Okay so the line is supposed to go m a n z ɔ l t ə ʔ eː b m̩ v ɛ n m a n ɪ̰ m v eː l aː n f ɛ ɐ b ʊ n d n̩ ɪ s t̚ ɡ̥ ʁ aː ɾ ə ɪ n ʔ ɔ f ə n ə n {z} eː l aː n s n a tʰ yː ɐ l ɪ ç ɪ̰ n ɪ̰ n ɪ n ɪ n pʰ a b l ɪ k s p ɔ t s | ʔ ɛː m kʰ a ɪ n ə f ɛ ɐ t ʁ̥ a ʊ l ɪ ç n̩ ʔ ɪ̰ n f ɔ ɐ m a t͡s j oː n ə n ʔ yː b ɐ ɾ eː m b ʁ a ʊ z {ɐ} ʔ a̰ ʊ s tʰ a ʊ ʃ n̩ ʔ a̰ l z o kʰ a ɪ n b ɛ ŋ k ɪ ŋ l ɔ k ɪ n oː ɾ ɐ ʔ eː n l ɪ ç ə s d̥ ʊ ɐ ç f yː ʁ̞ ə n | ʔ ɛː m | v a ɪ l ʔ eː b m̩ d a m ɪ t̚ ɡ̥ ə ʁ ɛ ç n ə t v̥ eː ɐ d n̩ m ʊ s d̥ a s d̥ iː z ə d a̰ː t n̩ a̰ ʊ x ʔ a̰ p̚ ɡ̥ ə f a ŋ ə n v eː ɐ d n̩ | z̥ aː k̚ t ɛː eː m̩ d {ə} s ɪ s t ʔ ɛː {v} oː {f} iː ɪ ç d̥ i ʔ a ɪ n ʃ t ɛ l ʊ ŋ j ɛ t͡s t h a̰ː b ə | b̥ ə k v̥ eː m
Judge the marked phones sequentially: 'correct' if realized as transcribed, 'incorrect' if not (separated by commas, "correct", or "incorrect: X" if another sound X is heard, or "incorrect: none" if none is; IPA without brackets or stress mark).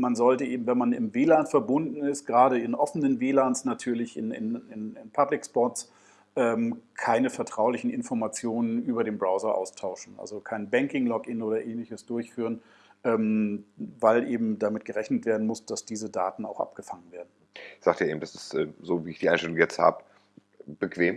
incorrect: v, correct, incorrect: a, incorrect: z, incorrect: v